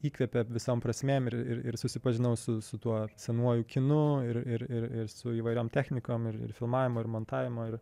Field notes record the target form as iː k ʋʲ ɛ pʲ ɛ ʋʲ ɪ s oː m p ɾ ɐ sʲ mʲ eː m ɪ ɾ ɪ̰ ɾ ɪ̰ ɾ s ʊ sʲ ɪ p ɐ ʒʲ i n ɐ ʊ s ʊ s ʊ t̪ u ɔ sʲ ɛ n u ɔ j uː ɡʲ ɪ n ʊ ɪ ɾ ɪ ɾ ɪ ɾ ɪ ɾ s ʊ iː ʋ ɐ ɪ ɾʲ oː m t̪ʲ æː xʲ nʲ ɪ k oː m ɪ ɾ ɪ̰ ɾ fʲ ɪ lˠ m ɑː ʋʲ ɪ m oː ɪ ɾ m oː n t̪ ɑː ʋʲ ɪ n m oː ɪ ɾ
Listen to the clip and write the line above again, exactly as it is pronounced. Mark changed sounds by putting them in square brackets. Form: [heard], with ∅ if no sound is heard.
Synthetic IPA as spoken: iː k ʋʲ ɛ pʲ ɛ ʋʲ ɪ s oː m p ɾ ɐ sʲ mʲ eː m ɪ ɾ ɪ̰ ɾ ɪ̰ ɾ s ʊ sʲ ɪ p ɐ ʒʲ [ɪ] n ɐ ʊ s ʊ s ʊ t̪ u ɔ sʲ ɛ n u ɔ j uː [kʲ] ɪ n ʊ ɪ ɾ ɪ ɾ ɪ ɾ ɪ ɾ s ʊ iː ʋ ɐ ɪ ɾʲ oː m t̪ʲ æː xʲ nʲ ɪ k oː m ɪ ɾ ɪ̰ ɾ fʲ ɪ lˠ m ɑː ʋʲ ɪ m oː ɪ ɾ m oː n t̪ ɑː ʋʲ ɪ [∅] m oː ɪ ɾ